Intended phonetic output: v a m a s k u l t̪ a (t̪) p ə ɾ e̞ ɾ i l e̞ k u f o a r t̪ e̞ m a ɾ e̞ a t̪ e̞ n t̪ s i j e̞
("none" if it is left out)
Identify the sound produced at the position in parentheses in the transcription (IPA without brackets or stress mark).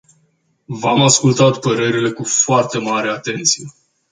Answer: t̪